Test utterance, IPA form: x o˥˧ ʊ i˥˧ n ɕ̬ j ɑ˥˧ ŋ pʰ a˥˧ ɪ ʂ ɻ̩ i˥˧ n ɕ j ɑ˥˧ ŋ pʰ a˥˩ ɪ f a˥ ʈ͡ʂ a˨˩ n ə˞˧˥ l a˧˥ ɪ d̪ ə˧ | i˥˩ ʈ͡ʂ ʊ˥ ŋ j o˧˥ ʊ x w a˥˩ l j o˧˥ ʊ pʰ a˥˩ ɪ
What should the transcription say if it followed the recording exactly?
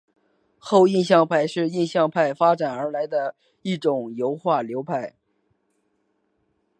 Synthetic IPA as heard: x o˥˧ ʊ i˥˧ n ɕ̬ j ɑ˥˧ ŋ pʰ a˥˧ ɪ ʂ ɻ̩ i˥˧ n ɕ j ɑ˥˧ ŋ pʰ a˥˩ ɪ f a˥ ʈ͡ʂ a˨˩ n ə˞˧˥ l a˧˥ ɪ d̪ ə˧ | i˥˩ ʈ͡ʂ ʊ˨˩ ŋ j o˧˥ ʊ x w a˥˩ l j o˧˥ ʊ pʰ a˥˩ ɪ